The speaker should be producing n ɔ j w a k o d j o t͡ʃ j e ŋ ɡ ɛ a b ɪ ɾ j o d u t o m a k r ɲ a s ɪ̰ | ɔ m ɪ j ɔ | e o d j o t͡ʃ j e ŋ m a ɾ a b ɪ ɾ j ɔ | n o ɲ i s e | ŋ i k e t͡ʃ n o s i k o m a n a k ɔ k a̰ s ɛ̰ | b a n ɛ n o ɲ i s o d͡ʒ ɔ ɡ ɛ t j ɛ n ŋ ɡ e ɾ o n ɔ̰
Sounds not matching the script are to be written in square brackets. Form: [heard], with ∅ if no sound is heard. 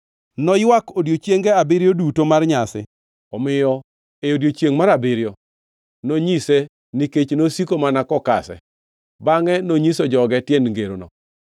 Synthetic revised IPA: n ɔ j w a k o d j o t͡ʃ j e ŋ ɡ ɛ a b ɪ ɾ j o d u t o m a [∅] r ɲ a s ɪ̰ | ɔ m ɪ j ɔ | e o d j o t͡ʃ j e ŋ m a ɾ a b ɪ ɾ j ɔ | n o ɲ i s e | [n] i k e t͡ʃ n o s i k o m a n a k ɔ k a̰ s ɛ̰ | b a [ŋ] ɛ n o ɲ i s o d͡ʒ ɔ ɡ ɛ t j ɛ n ŋ ɡ e ɾ o n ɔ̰